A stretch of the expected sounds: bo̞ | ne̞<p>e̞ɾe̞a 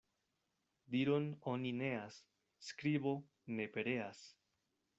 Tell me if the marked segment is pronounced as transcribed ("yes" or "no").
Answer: yes